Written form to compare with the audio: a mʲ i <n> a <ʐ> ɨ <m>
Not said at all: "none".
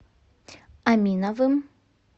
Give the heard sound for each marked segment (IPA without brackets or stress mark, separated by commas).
n, v, m